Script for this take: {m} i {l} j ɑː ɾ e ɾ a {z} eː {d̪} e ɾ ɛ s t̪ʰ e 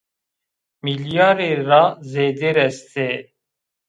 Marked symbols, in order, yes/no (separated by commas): yes, yes, yes, yes